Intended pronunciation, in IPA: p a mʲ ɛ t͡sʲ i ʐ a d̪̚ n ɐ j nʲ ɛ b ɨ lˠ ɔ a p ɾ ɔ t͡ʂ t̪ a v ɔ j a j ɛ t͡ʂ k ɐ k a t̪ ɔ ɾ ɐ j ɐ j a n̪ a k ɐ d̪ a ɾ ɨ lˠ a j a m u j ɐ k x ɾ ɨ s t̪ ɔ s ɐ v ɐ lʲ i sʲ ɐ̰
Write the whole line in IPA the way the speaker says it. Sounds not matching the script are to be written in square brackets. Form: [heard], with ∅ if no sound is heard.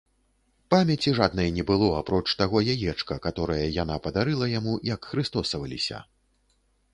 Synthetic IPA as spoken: p a mʲ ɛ t͡sʲ i ʐ a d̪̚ n ɐ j nʲ ɛ b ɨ lˠ ɔ a p ɾ ɔ t͡ʂ t̪ a [ɣ] ɔ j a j ɛ t͡ʂ k ɐ k a t̪ ɔ ɾ ɐ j ɐ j a n̪ a [p] ɐ d̪ a ɾ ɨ lˠ [ɐ] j a m u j ɐ k x ɾ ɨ s t̪ ɔ s ɐ v ɐ lʲ i sʲ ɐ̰

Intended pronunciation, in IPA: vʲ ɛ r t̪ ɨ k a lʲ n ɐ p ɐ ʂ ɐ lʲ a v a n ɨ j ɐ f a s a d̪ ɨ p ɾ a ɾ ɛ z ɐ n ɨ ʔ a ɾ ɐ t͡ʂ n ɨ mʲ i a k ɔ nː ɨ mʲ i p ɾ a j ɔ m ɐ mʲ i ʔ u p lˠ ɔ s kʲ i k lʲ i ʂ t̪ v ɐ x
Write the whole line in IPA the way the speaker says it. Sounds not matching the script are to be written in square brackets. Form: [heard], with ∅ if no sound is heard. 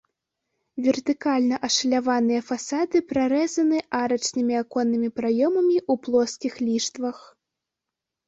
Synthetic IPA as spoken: vʲ ɛ r t̪ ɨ k a lʲ n ɐ [ʔ] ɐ ʂ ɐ lʲ a v a n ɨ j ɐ f a s a d̪ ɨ p ɾ a ɾ ɛ z ɐ n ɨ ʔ a ɾ ɐ t͡ʂ n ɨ mʲ i a k ɔ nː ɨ mʲ i p ɾ a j ɔ m ɐ mʲ i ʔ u p lˠ ɔ s kʲ i [x] lʲ i ʂ t̪ v ɐ x

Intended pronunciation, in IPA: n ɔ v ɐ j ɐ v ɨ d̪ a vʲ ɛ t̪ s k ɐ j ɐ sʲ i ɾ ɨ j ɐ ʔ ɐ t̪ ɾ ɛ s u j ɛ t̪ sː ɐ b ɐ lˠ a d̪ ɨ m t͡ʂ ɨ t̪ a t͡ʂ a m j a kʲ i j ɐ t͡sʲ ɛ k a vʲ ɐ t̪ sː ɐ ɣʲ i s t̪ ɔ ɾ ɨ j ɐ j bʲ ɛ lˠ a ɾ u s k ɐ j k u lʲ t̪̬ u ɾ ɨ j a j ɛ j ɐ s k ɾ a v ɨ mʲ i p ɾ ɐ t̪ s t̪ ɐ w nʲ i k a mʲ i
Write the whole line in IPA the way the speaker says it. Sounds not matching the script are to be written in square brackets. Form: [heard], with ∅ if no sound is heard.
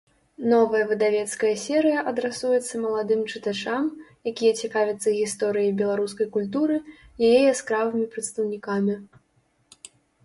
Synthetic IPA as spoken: n ɔ v ɐ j ɐ v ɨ d̪ a vʲ ɛ t̪ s k ɐ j ɐ sʲ [ɛ] ɾ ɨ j ɐ ʔ ɐ [d̪] ɾ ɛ s u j ɛ t̪ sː ɐ [m] ɐ lˠ a d̪ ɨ m t͡ʂ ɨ t̪ a t͡ʂ a m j a kʲ i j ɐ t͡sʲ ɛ k a vʲ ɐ t̪ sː ɐ ɣʲ i s t̪ ɔ ɾ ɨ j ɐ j bʲ ɛ lˠ a ɾ u s k ɐ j k u lʲ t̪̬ u ɾ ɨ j a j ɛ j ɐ s k ɾ a v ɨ mʲ i p ɾ ɐ t̪ s t̪ ɐ w nʲ i k a mʲ i

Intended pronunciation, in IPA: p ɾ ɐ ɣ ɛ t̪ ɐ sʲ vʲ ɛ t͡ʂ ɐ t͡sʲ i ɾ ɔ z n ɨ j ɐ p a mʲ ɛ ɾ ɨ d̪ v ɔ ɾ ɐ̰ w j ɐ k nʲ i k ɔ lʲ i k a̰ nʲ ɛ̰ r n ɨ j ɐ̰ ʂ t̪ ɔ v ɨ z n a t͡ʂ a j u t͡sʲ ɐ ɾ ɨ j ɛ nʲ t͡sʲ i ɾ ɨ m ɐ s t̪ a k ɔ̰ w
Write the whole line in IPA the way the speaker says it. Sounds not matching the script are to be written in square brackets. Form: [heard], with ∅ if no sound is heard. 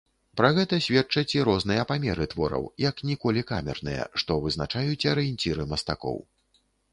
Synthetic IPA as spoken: p ɾ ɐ ɣ ɛ t̪ ɐ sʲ vʲ ɛ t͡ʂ ɐ t͡sʲ i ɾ ɔ z n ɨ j ɐ p a mʲ ɛ ɾ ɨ [t̪] v ɔ ɾ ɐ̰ w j ɐ k nʲ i k ɔ lʲ i k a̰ [mʲ] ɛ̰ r n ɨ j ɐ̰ ʂ t̪ ɔ v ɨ z n a t͡ʂ a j u t͡sʲ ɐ ɾ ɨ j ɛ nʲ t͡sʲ i ɾ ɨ m ɐ s t̪ a k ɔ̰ w

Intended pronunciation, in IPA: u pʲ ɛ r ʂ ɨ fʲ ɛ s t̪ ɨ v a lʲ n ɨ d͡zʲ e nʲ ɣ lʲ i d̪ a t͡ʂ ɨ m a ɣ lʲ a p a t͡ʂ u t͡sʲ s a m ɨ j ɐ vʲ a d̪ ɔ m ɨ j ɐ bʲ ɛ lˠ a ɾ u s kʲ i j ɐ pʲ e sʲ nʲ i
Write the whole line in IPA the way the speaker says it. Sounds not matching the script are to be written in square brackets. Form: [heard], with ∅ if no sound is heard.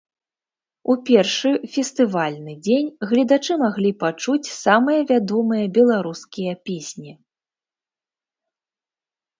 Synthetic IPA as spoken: u pʲ ɛ r ʂ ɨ fʲ ɛ s t̪ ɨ v a lʲ n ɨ d͡zʲ e nʲ ɣ lʲ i d̪ a t͡ʂ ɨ m a ɣ lʲ [i] p a t͡ʂ u t͡sʲ s a m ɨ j ɐ vʲ a d̪ ɔ m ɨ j ɐ bʲ ɛ lˠ a ɾ u s kʲ i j ɐ pʲ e sʲ nʲ i

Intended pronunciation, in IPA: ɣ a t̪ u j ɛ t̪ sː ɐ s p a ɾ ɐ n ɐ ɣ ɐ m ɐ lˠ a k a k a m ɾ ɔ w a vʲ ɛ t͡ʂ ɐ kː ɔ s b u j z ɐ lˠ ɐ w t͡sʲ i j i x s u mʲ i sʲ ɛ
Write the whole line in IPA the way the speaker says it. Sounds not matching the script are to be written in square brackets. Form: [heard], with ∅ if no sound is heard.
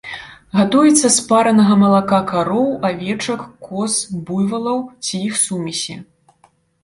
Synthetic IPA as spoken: ɣ a t̪ u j ɛ t̪ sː ɐ s p a ɾ ɐ n ɐ ɣ ɐ m ɐ lˠ a k a k a [∅] ɾ ɔ w a vʲ ɛ t͡ʂ ɐ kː ɔ s b u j [v] ɐ lˠ ɐ w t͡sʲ i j i x s u mʲ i sʲ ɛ

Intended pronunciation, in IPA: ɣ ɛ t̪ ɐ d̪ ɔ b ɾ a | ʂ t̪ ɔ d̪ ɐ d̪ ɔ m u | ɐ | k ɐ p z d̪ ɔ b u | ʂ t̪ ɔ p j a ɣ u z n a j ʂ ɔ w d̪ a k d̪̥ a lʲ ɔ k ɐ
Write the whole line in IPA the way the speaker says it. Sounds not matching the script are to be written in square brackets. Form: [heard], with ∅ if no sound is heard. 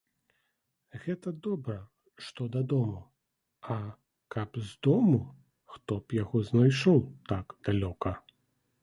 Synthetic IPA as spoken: ɣ ɛ t̪ ɐ d̪ ɔ b ɾ [ɐ] | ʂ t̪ ɔ d̪ ɐ d̪ ɔ m u | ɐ | k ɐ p z d̪ ɔ [m] u | [x] t̪ ɔ p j a ɣ [ɔ] z n a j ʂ ɔ w [t̪] a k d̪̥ a lʲ ɔ k ɐ

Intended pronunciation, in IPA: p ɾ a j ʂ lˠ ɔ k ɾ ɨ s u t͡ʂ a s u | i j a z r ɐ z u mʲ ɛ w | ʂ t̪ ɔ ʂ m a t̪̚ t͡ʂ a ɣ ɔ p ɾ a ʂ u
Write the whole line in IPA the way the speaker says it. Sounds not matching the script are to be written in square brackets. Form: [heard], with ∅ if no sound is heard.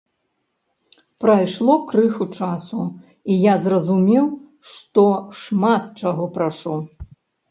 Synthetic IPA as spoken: p ɾ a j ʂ lˠ ɔ k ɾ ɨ [x] u t͡ʂ a s u | i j a z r ɐ z u mʲ ɛ w | ʂ t̪ ɔ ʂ m a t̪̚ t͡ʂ a ɣ ɔ p ɾ a ʂ u

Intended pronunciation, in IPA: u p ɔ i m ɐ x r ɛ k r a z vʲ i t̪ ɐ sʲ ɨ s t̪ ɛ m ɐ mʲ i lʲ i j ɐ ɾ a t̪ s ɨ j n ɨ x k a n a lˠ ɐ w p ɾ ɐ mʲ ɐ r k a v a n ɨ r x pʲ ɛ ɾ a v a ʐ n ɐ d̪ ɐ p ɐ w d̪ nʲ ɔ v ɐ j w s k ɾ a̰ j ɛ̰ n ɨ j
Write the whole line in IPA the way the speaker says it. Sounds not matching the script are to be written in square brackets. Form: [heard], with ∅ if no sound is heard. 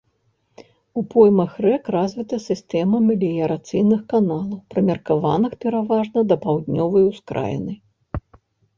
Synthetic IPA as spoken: u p ɔ [j] m ɐ x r ɛ k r a z vʲ i t̪ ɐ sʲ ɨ s t̪ ɛ m ɐ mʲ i lʲ i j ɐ ɾ a t̪ s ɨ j n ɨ x k a n a lˠ ɐ w p ɾ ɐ mʲ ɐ r k a v a n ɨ [∅] x pʲ ɛ ɾ a v a ʐ n ɐ d̪ ɐ p [a] w d̪ nʲ ɔ v ɐ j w s k ɾ a̰ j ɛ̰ n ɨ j

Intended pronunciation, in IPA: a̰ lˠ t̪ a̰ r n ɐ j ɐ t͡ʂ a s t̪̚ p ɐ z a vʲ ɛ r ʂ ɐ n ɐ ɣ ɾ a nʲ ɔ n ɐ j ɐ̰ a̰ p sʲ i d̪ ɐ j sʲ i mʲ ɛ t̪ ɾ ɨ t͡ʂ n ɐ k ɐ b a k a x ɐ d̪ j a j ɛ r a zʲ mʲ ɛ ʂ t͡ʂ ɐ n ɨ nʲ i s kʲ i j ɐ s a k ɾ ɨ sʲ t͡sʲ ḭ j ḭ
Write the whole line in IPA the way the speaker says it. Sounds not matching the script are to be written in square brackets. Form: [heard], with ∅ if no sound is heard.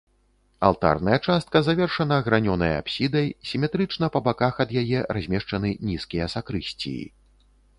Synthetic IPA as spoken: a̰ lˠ t̪ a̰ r n ɐ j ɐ t͡ʂ a s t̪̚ [k] ɐ z a vʲ ɛ r ʂ ɐ n ɐ ɣ ɾ a nʲ ɔ n ɐ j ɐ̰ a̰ p sʲ i d̪ ɐ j sʲ i mʲ ɛ t̪ ɾ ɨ t͡ʂ n ɐ [p] ɐ b a k a x ɐ d̪ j a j ɛ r a zʲ mʲ ɛ ʂ t͡ʂ ɐ n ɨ nʲ i s kʲ i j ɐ s a k ɾ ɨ sʲ t͡sʲ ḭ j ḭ

